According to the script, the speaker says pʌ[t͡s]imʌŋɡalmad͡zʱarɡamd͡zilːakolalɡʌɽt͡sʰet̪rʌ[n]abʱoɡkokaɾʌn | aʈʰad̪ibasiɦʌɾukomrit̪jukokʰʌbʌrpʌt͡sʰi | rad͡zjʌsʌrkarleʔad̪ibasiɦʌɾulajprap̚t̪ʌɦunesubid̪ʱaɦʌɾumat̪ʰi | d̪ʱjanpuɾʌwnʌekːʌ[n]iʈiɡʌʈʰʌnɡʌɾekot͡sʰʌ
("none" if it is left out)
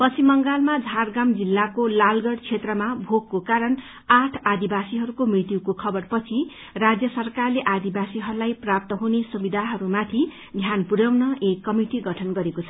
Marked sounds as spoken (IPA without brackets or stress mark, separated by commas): t͡sʰ, m, m